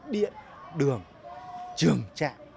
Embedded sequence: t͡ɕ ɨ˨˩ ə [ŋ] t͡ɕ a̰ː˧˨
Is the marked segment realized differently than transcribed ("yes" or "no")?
no